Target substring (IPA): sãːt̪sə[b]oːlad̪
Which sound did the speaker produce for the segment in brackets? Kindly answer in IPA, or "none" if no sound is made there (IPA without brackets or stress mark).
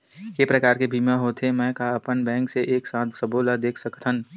b